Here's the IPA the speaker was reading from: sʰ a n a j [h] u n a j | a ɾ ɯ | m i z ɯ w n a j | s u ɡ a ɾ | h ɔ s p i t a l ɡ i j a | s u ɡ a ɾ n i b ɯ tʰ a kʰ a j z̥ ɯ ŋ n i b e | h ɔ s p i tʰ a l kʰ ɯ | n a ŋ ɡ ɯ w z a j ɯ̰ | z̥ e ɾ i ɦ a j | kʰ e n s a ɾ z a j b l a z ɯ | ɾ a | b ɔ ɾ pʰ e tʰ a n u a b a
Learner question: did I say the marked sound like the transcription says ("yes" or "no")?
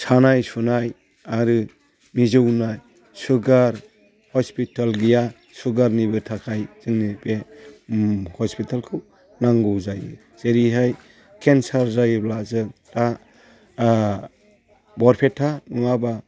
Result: no